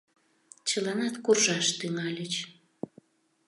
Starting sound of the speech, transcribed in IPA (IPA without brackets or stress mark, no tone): t͡ɕ